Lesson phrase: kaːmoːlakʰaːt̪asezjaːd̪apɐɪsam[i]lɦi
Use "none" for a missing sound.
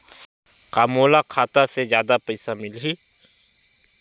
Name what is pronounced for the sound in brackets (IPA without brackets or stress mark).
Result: ɪ